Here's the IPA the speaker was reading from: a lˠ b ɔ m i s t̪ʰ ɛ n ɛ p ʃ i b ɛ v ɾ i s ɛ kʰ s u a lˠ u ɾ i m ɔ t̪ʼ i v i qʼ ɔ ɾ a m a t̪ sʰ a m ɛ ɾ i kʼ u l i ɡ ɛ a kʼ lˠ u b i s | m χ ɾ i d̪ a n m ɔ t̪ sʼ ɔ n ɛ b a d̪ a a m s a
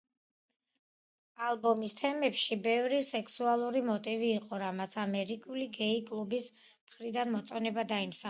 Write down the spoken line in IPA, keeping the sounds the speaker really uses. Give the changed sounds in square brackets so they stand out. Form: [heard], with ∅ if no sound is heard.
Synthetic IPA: a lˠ b ɔ m i s t̪ʰ ɛ [m] ɛ p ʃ i b ɛ v ɾ i s ɛ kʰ s u a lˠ u ɾ i m ɔ t̪ʼ i v [iː] qʼ ɔ ɾ a m a t̪ sʰ a m ɛ ɾ i kʼ u l i ɡ ɛ [i] kʼ lˠ u b i s | m χ ɾ i d̪ a n m ɔ t̪ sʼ ɔ n ɛ b a d̪ a [i] m s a